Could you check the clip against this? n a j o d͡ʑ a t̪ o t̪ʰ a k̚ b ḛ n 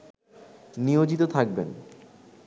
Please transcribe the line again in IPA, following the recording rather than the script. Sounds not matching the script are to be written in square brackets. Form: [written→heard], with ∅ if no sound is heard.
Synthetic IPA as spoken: n [a→i] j o d͡ʑ [a→i] t̪ o t̪ʰ a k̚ b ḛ n